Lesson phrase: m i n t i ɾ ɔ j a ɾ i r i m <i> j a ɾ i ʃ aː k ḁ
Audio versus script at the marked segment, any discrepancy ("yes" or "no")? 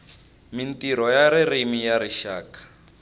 no